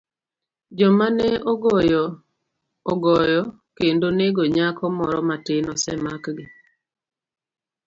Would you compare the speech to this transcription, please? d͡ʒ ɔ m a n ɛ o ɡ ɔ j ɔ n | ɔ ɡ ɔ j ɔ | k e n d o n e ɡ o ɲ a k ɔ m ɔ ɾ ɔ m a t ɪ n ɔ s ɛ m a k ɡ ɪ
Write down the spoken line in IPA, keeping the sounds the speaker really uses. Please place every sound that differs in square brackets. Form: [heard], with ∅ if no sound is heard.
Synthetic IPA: d͡ʒ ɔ m a n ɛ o ɡ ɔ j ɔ [∅] | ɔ ɡ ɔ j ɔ | k e n d o n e ɡ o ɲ a k ɔ m ɔ ɾ ɔ m a t ɪ n ɔ s ɛ m a k ɡ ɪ